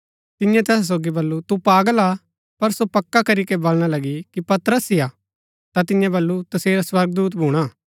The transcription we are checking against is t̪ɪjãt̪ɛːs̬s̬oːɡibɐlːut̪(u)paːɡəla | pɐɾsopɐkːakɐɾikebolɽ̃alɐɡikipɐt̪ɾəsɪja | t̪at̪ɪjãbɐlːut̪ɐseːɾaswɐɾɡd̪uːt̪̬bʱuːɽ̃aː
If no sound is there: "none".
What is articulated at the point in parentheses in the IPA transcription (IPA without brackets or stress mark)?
u